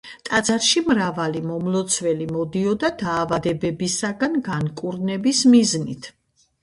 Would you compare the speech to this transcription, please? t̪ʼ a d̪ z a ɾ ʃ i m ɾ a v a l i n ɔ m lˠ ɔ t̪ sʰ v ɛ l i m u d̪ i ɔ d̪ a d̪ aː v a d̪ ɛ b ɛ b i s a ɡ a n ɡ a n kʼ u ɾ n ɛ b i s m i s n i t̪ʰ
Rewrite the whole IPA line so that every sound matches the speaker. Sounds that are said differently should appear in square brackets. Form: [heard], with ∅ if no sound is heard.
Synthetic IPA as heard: t̪ʼ a d̪ z a ɾ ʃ i m ɾ a v a l i [m] ɔ m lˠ ɔ t̪ sʰ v ɛ l i m [ɔ] d̪ i ɔ d̪ a d̪ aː v a d̪ ɛ b ɛ b i s a ɡ a n ɡ a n kʼ u ɾ n ɛ b i s m i [z] n i t̪ʰ